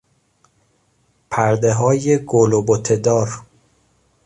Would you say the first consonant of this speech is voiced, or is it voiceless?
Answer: voiceless